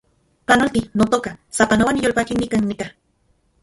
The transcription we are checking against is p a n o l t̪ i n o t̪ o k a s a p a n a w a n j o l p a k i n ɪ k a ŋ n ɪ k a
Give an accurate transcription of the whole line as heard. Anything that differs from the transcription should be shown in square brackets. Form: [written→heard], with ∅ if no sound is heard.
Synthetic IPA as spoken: p a n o l t̪ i n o t̪ o k a s a p a n a w a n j o l p a k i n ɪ k a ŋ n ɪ k a